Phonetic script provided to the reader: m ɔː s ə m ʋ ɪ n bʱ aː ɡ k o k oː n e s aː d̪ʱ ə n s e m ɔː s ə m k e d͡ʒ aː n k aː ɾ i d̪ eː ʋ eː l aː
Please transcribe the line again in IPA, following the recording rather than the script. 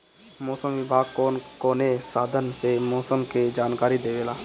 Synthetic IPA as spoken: m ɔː s ə m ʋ ɪ bʱ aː ɡ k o k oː n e s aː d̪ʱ ə n s e m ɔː s ə m k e d͡ʒ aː n k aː ɾ i d̪ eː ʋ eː l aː